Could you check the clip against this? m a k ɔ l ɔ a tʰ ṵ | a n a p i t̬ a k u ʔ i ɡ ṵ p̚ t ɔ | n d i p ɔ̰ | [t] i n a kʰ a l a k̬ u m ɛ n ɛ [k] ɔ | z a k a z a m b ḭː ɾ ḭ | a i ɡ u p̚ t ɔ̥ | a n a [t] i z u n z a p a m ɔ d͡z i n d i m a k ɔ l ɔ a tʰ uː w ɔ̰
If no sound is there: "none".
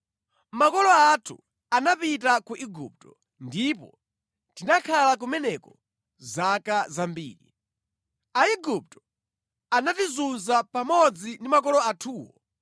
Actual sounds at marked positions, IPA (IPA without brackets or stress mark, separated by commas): t, k, t